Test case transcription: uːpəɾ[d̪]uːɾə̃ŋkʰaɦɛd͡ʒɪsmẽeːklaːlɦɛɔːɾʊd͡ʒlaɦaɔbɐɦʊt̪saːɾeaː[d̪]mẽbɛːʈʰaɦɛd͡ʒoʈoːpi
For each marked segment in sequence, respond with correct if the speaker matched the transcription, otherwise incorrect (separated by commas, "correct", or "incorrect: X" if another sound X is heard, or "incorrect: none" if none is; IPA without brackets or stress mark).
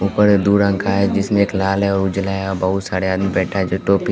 correct, correct